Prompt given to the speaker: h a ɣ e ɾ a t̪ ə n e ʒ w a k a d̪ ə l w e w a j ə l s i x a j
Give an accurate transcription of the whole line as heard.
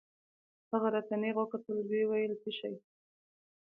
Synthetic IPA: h a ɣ a ɾ a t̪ a n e ɣ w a k a t̪ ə l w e w a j ə l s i ʃ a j